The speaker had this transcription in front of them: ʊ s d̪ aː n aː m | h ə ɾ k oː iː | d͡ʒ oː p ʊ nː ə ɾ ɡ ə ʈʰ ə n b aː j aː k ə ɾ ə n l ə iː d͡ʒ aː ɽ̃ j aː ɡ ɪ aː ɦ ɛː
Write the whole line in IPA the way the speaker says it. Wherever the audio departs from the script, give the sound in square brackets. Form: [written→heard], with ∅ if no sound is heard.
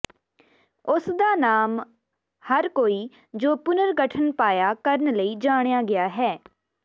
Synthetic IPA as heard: ʊ s d̪ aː n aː m | h ə ɾ k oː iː | d͡ʒ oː p ʊ [nː→n] ə ɾ ɡ ə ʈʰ ə n [b→p] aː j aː k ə ɾ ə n l ə iː d͡ʒ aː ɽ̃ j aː ɡ ɪ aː ɦ ɛː